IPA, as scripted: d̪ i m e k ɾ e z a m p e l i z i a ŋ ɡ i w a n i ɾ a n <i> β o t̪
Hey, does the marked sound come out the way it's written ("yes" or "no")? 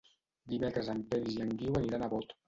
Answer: no